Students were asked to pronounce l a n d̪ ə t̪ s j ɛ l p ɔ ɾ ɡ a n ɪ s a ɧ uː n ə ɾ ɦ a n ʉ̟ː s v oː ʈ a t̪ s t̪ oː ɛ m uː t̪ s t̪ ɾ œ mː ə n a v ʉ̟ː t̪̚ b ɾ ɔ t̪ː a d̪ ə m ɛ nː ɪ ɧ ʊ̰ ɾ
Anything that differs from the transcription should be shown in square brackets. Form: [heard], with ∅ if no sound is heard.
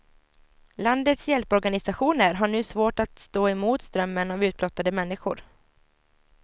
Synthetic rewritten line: l a n d̪ ə t̪ s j ɛ l p ɔ ɾ ɡ a n ɪ s a ɧ uː n ə ɾ ɦ a [ɳ] ʉ̟ː s v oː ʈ a t̪ s t̪ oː ɛ m uː t̪ s t̪ ɾ œ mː ə n a v ʉ̟ː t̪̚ b [l] ɔ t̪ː a d̪ ə m ɛ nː ɪ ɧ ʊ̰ ɾ